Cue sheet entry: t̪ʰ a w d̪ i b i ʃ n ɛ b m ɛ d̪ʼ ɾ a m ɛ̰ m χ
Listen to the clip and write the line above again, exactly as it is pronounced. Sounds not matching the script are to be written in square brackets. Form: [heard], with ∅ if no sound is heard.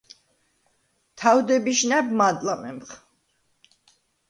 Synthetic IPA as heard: t̪ʰ a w d̪ [ɛ] b i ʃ n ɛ b m [a] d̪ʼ [l] a m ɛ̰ m χ